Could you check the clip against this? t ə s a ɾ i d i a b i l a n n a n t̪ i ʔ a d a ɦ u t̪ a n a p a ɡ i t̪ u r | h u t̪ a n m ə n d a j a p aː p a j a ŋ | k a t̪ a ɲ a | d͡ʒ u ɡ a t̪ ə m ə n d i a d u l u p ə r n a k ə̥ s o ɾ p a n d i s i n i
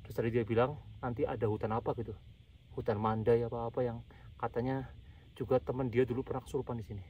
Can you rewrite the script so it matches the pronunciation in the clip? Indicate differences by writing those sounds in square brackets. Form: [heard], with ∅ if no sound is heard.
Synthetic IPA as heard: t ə s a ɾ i d i a b i l a [ŋ] n a n t̪ i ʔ a d a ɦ u t̪ a n a p a ɡ i t̪ u [∅] | h u t̪ a n m [a] n d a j a p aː p a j a ŋ | k a t̪ a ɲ a | d͡ʒ u ɡ a t̪ ə m ə n d i a d u l u p ə r n a k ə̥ s [u] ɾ p a n d i s i n i